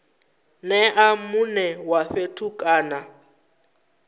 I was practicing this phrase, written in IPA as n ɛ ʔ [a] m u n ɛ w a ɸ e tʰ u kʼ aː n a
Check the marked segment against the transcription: correct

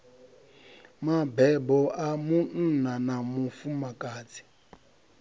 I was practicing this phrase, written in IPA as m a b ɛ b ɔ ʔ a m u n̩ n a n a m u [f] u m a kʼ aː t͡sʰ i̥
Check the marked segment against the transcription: correct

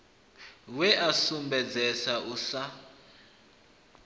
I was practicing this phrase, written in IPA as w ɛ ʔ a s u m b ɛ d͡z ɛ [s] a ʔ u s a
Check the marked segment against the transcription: correct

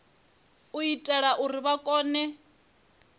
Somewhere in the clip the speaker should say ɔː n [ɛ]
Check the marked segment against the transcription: correct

